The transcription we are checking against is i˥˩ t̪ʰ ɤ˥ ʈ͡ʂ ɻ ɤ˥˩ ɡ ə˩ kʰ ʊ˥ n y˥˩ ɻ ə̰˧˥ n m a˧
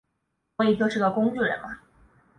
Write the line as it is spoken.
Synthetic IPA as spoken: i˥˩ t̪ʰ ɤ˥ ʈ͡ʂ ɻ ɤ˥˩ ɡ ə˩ k ʊ˥ ŋ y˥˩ ɻ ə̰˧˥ n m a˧